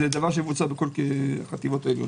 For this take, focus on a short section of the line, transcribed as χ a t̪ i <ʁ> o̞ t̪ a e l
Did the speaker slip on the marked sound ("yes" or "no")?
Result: yes